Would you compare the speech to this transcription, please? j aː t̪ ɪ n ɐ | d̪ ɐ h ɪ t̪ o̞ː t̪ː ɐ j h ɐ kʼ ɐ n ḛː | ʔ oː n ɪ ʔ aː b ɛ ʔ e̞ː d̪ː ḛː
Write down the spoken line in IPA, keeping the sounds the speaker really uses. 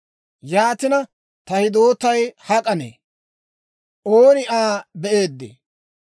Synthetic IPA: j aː t̪ ɪ n ɐ | t̪ ɐ h ɪ d̪ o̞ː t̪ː ɐ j h ɐ kʼ ɐ n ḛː | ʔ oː n ɪ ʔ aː b ɛ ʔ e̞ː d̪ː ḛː